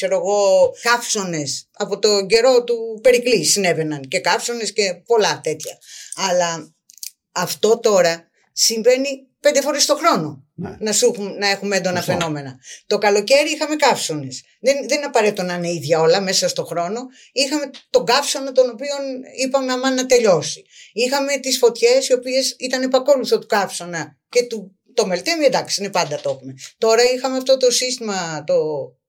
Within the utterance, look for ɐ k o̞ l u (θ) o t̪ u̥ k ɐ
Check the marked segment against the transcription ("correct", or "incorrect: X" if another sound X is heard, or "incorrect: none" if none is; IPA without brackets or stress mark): correct